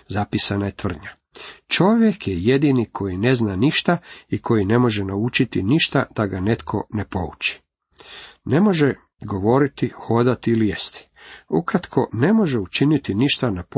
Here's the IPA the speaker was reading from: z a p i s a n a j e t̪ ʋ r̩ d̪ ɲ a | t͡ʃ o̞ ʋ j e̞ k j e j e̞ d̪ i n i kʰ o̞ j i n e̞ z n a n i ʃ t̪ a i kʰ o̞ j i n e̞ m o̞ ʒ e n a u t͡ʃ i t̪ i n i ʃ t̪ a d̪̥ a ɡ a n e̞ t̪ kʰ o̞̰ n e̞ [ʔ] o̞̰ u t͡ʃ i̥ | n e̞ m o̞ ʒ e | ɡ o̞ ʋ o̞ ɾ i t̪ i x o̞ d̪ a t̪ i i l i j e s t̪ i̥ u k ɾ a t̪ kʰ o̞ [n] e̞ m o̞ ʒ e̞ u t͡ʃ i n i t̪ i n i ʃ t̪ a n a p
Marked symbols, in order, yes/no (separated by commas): no, yes